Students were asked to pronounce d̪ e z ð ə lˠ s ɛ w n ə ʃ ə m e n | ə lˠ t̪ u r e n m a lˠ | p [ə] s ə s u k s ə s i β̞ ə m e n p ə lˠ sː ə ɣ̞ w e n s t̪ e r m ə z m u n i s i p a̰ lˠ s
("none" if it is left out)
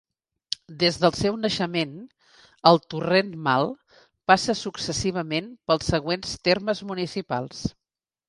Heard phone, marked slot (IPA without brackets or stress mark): a